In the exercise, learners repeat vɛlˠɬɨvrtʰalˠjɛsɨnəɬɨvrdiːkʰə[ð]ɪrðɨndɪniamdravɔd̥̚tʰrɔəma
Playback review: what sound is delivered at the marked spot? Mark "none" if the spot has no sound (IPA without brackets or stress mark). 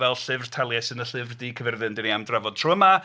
v